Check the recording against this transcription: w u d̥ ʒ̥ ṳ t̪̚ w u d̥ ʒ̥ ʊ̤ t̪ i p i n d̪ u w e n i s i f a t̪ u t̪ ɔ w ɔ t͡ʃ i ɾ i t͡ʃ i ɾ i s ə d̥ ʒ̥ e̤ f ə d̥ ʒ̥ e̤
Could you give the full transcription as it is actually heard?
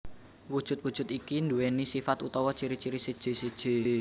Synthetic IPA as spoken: w u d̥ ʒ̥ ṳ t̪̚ w u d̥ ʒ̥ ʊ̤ t̪ i k i n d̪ u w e n i s i f a t̪ u t̪ ɔ w ɔ t͡ʃ i ɾ i t͡ʃ i ɾ i s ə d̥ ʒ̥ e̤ s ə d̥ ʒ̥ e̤

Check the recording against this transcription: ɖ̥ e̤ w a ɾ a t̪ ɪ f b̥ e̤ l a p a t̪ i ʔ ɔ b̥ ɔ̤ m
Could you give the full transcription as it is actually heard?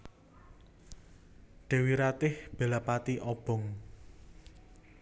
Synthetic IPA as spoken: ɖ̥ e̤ w i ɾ a t̪ ɪ h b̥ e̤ l a p a t̪ i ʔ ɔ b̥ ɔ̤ ŋ

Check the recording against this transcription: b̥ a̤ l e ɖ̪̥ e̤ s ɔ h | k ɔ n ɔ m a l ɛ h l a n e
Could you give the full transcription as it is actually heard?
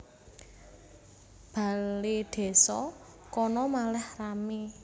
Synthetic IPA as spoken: b̥ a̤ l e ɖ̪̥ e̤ s ɔ | k ɔ n ɔ m a l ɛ h r a m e

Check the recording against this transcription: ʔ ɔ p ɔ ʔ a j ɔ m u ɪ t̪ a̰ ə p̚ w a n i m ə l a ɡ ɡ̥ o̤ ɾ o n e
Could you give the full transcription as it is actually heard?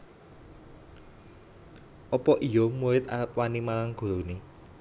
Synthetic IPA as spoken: ʔ ɔ p ɔ ʔ i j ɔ m u ɪ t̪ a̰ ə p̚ w a n i m a l a ŋ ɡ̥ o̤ ɾ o n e

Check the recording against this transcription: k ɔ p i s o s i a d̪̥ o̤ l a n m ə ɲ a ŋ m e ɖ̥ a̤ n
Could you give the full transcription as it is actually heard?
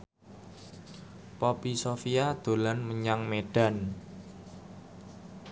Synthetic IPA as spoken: p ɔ p i s o f i a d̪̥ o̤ l a n m ə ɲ a ŋ m e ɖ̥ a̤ n

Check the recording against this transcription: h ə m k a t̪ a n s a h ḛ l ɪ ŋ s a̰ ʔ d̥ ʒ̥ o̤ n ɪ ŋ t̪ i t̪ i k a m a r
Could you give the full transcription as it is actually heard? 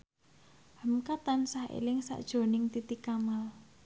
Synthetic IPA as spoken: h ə m k a t̪ a n s a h ḛ l ɪ ŋ s a̰ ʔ d̥ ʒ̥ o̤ n ɪ ŋ t̪ i t̪ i k a m a l

